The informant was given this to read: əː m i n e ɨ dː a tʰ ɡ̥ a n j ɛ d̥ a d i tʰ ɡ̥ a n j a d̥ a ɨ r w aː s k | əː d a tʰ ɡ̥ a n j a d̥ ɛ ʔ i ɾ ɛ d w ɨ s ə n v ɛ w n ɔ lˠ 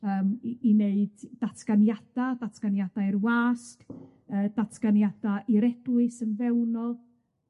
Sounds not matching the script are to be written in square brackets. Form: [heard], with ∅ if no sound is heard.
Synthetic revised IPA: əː m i n e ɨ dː a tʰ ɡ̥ a n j [a] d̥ a d [a] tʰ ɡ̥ a n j a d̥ a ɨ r w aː s k | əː d a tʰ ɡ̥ a n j a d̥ [a] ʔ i ɾ ɛ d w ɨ s ə n v ɛ w n ɔ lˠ